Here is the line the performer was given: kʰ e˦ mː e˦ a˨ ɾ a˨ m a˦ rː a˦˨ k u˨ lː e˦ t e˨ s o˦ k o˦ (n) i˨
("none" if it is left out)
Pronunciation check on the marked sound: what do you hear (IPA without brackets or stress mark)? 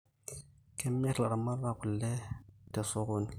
n